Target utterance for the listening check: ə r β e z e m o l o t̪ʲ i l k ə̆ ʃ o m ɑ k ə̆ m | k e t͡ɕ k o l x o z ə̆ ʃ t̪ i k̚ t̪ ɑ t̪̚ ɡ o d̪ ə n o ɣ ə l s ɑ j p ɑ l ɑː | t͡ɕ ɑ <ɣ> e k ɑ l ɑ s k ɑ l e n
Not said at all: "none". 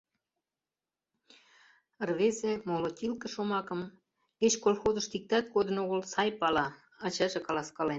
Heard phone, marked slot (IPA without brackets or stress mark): ʒ